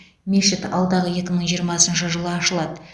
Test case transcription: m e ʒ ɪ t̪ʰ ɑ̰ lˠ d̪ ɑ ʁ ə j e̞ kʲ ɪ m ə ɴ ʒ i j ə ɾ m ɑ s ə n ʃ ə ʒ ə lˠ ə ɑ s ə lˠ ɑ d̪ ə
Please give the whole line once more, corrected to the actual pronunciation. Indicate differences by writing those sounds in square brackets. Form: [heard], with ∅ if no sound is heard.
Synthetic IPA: m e [ʃ] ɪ [t̪] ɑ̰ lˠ d̪ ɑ ʁ ə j e̞ kʲ ɪ m ə ɴ ʒ i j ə ɾ m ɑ s ə n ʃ ə ʒ ə lˠ ə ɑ [ʃ] ə lˠ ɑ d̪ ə